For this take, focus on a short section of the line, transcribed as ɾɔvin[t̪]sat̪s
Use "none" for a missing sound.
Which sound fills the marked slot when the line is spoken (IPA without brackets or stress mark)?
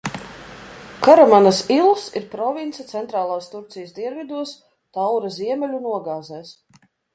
t̪